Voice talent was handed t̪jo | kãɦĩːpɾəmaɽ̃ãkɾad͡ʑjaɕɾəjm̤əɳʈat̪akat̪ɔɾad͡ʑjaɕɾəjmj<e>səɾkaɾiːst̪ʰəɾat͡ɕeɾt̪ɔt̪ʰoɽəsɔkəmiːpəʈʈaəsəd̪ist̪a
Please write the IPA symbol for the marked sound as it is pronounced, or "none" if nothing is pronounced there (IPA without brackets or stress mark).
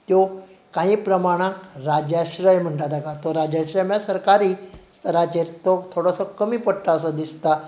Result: a